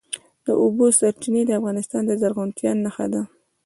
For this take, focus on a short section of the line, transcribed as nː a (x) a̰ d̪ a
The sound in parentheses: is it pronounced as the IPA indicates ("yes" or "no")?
yes